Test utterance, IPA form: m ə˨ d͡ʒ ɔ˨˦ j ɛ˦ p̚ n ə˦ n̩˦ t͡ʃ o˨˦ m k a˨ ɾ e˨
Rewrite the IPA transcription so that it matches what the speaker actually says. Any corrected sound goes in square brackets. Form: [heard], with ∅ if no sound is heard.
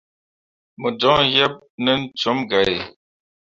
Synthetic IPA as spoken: m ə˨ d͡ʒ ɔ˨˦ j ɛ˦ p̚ n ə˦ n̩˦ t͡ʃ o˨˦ m [ɡ] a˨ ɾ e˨